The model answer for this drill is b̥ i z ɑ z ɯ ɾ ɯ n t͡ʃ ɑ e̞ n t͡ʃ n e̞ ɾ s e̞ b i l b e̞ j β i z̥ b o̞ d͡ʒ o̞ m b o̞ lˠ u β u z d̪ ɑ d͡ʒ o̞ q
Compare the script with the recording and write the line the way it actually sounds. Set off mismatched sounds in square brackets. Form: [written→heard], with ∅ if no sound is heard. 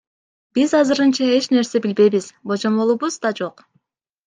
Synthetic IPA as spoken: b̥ i z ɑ z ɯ ɾ ɯ n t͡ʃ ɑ e̞ [n→∅] t͡ʃ n e̞ ɾ s e̞ b i l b e̞ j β i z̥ b o̞ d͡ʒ o̞ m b o̞ lˠ u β u z d̪ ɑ d͡ʒ o̞ q